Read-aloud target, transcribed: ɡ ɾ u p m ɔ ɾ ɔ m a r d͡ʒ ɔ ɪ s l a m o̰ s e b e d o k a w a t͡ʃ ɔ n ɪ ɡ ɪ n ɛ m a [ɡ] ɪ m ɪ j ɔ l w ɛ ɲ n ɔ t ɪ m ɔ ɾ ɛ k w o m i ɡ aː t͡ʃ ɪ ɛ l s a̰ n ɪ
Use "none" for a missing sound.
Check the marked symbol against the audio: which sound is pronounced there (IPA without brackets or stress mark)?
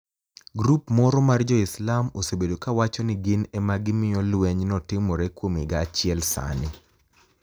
ɡ